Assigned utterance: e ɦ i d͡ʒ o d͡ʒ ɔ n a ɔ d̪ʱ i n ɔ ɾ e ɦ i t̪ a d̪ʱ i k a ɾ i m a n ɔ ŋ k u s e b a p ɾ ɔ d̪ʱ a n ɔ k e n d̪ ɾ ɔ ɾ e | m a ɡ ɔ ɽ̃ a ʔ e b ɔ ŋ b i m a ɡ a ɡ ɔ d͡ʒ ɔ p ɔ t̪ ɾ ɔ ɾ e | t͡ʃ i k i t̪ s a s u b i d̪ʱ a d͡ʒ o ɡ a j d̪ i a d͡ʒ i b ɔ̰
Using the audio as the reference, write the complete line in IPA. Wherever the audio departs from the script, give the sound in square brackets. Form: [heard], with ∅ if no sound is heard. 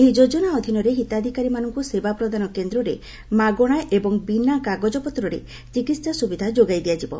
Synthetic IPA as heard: e ɦ i d͡ʒ o d͡ʒ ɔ n a ɔ d̪ʱ i n ɔ ɾ e ɦ i t̪ a d̪ʱ i k a ɾ i m a n ɔ ŋ k u s e b a p ɾ ɔ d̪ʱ a n ɔ k e n d̪ ɾ ɔ ɾ e | m a ɡ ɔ ɽ̃ a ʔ e b ɔ ŋ b i [n] a [k] a ɡ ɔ d͡ʒ ɔ p ɔ t̪ ɾ ɔ ɾ e | t͡ʃ i k i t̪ s a s u b i d̪ʱ a d͡ʒ o ɡ a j d̪ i a d͡ʒ i b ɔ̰